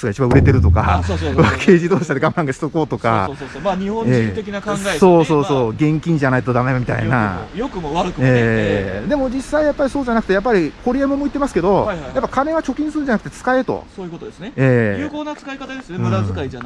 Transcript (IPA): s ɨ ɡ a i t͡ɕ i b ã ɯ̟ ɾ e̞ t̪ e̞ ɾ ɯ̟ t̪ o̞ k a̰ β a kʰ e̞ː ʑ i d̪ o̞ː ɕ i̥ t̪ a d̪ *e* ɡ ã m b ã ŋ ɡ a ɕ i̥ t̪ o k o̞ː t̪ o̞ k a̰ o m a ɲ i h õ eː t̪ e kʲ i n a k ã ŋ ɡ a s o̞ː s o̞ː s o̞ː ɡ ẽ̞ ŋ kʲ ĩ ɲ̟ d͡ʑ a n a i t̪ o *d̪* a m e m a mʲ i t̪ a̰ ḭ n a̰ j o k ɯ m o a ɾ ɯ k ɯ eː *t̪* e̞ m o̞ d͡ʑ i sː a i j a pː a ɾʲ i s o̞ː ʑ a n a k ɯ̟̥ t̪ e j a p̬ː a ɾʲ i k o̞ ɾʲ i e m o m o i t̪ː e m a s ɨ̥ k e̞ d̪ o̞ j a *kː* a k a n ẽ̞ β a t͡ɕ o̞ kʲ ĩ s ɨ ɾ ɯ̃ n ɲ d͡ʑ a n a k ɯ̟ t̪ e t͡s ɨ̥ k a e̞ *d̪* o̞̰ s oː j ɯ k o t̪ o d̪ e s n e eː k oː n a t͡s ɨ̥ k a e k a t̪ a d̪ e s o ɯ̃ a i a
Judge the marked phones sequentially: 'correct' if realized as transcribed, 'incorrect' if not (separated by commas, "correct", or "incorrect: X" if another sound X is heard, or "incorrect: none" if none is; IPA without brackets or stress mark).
correct, correct, incorrect: d̪, incorrect: pː, incorrect: t̪